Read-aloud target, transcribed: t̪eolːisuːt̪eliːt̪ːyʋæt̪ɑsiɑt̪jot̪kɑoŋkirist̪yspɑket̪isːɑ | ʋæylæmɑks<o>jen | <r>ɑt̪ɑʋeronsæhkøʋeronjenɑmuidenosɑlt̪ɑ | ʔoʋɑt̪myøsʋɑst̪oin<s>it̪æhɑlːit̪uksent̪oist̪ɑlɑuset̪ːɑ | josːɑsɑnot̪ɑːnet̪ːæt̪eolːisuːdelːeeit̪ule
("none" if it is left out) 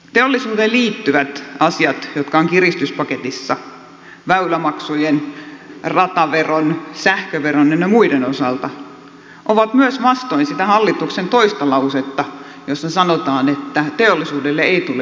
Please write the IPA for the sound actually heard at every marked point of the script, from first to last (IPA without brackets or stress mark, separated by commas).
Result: u, r, s